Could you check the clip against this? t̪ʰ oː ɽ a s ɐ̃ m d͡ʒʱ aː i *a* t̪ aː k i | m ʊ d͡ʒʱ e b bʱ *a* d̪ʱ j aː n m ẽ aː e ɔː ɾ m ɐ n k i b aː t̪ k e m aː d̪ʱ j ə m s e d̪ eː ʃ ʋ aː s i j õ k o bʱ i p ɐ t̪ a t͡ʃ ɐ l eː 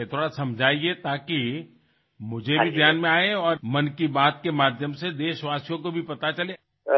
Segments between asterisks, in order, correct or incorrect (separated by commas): incorrect, incorrect